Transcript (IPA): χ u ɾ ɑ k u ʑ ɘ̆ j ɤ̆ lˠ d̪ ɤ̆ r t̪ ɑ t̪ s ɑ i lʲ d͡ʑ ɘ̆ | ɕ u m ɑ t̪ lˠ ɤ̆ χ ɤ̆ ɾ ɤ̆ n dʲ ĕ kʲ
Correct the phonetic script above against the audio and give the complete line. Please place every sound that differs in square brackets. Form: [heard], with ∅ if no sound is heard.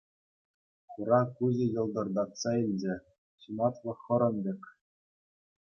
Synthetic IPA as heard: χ u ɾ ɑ k u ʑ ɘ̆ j ɤ̆ lˠ d̪ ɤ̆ r [d̪] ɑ t̪ s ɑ i lʲ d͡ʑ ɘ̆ | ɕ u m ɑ t̪ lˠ ɤ̆ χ ɤ̆ ɾ ɤ̆ n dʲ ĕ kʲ